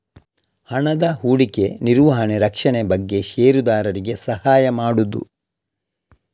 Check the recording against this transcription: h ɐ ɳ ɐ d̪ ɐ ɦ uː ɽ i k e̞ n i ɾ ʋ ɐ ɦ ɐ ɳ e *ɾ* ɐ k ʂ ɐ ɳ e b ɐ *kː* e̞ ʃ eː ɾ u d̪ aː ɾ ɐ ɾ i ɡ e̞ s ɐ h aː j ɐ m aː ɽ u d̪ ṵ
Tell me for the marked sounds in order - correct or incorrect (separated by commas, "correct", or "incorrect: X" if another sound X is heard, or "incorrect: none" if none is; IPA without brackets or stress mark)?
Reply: correct, incorrect: ɡː